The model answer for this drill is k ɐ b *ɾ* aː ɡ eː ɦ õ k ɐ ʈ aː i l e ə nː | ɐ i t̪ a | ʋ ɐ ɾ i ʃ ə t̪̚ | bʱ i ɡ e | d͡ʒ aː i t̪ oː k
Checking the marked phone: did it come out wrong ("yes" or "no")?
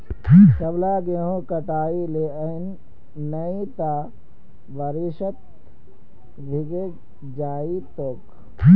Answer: yes